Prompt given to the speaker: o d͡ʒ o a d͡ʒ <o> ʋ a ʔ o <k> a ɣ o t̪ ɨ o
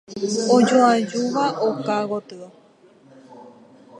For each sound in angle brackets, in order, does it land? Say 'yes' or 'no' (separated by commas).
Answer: no, yes